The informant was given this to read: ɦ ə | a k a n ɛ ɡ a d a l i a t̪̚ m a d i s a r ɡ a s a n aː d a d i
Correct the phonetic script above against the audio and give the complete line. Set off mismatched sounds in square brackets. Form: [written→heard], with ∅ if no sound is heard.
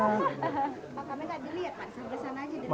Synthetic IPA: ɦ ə | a k a [n→m] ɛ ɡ a d [a→i] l i a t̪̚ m a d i s a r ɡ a s a n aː [d→d͡ʒ] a d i